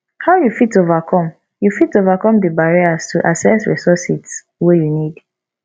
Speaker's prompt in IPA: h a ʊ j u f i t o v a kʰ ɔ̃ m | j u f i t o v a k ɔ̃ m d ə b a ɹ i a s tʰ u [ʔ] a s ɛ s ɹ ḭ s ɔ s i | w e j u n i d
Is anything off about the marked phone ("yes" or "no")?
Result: no